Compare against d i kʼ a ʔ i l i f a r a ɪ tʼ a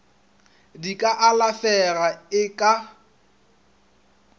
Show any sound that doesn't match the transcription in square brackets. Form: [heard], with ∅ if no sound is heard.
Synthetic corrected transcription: d i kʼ a ʔ [a] l [a] f [ɛ] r a ɪ [kʼ] a